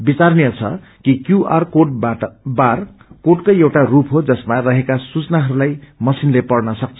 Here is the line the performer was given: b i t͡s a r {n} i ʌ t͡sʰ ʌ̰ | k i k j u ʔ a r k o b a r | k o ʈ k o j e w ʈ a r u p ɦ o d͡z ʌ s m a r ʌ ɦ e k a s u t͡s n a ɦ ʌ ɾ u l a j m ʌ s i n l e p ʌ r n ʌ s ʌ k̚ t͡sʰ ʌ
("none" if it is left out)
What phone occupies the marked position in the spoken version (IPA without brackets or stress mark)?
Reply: n